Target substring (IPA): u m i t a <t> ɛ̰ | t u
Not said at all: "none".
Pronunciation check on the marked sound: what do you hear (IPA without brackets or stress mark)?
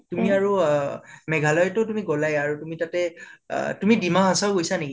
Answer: t